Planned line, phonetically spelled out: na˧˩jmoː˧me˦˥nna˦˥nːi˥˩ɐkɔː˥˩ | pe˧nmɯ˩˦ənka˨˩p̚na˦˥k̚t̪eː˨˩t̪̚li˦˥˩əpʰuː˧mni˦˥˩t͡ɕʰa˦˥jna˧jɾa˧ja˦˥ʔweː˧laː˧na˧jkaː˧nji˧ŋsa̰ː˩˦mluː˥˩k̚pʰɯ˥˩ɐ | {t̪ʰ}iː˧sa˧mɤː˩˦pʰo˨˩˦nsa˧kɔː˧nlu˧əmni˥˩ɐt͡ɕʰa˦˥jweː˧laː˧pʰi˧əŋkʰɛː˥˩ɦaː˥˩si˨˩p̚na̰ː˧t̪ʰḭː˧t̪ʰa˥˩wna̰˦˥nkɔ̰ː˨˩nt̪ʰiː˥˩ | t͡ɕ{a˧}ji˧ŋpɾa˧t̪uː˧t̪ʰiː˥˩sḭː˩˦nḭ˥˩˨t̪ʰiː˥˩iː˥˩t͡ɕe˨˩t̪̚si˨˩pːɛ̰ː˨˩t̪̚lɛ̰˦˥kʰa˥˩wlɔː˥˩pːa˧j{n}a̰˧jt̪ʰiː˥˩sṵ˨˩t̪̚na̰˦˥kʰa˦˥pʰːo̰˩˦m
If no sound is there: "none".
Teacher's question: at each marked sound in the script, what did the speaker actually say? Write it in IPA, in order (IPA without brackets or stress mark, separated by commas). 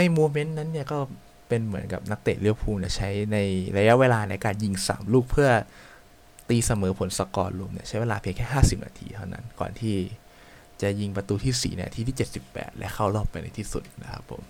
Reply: t̪, a˨˩, n